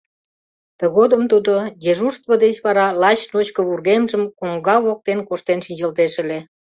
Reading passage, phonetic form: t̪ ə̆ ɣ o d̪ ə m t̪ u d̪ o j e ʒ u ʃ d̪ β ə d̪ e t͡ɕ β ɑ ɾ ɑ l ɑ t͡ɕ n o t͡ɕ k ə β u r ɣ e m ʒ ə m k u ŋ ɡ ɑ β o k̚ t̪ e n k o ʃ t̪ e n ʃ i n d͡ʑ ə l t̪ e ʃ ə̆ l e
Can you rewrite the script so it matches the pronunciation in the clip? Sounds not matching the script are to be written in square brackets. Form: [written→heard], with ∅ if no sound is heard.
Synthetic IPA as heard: t̪ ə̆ ɣ o d̪ ə m t̪ u d̪ o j e ʒ u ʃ [d̪→t̪] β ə d̪ e t͡ɕ β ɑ ɾ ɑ l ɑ t͡ɕ n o t͡ɕ k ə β u r ɣ e m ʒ ə m k [u→o] ŋ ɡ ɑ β o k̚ t̪ e n k o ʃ t̪ e n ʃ i n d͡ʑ ə l t̪ e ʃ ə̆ l e